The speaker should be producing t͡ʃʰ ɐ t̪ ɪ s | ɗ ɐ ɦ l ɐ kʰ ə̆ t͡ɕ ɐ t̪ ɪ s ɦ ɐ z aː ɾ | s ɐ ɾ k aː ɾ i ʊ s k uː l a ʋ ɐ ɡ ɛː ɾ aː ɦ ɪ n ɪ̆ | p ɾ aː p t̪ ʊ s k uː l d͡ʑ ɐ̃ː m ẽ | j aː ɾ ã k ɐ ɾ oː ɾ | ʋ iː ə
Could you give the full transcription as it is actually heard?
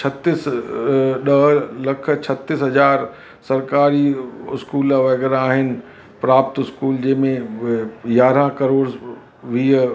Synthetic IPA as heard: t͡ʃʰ ɐ t̪ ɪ s | ɗ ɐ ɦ l ɐ kʰ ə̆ t͡ɕʰ ɐ t̪ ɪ s ɦ ɐ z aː ɾ | s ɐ ɾ k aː ɾ i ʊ s k uː l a ʋ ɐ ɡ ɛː ɾ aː ɦ ɪ n ɪ̆ | p ɾ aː p t̪ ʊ s k uː l d͡ʑ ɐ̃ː m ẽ | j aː ɾ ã k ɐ ɾ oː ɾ | ʋ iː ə